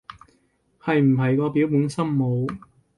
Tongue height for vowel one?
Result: low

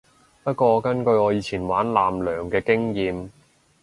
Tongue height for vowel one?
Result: low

